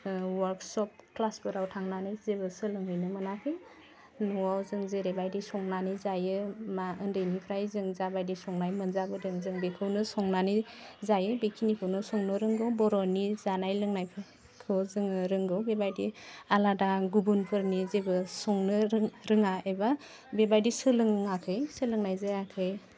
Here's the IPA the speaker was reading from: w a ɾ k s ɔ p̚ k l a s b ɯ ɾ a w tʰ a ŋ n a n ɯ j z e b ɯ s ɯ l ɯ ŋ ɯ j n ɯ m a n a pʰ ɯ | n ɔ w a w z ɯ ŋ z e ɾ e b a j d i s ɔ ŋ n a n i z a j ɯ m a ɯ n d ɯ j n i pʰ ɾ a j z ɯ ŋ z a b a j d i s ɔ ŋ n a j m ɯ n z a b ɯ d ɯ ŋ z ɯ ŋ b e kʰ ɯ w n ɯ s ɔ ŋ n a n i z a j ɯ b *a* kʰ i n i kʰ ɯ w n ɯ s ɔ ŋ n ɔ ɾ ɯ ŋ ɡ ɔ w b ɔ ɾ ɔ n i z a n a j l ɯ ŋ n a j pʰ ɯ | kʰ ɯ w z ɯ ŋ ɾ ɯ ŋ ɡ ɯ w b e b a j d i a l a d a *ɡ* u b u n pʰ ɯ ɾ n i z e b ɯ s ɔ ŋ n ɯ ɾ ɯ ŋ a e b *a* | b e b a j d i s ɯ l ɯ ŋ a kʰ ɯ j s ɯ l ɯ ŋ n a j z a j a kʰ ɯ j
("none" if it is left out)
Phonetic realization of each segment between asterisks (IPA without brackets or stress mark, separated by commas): e, ɡ, a